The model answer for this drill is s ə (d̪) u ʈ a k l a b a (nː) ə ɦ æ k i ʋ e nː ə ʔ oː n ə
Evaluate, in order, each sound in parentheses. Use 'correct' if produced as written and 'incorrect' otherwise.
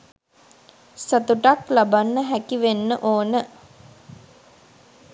incorrect: t̪, correct

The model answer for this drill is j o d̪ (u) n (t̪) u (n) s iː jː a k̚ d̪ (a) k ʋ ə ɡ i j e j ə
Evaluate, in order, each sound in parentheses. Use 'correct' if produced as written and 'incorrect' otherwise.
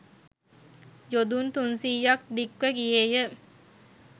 correct, correct, correct, incorrect: i

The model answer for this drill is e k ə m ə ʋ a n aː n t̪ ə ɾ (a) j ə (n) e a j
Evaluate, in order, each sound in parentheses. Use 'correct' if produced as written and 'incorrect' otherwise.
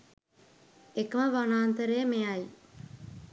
incorrect: e, incorrect: m

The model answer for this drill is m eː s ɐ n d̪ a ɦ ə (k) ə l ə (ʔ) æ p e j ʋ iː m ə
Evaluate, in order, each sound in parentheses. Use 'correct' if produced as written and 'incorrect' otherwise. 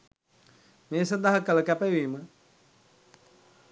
correct, incorrect: k

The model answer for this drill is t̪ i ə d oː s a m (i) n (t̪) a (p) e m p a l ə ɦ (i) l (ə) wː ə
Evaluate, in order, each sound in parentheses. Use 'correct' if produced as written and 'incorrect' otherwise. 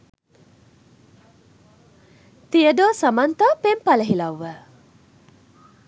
incorrect: a, correct, correct, correct, incorrect: a

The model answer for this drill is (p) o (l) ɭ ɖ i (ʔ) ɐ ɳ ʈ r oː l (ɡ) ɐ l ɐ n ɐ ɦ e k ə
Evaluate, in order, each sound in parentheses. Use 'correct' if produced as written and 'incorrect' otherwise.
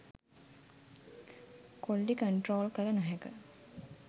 incorrect: k, incorrect: none, incorrect: k, incorrect: k

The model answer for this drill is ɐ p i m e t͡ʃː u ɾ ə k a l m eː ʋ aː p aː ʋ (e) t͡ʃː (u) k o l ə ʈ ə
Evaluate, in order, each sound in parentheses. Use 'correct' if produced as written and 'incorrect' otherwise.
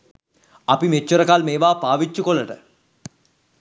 incorrect: i, correct

